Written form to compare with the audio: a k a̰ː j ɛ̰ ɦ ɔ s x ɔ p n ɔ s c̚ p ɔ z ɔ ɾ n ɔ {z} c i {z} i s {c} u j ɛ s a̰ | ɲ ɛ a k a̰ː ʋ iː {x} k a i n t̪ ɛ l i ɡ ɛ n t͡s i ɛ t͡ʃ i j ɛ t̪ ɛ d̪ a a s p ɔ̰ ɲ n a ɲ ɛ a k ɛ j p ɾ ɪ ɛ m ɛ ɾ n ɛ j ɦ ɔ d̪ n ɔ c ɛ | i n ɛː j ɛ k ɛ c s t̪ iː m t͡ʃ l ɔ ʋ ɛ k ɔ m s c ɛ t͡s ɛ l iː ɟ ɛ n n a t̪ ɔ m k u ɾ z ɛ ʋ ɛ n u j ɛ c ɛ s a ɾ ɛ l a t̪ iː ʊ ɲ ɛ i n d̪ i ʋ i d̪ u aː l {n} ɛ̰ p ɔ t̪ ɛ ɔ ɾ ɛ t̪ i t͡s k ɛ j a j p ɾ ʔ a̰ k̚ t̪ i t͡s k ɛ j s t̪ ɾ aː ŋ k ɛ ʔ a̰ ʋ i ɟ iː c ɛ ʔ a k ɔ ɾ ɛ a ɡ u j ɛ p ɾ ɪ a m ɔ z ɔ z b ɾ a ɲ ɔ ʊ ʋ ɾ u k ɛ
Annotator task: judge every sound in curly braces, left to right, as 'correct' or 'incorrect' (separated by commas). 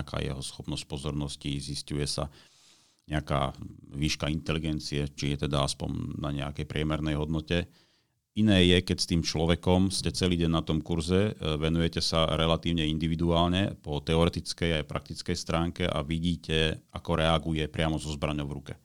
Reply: incorrect, correct, correct, incorrect, incorrect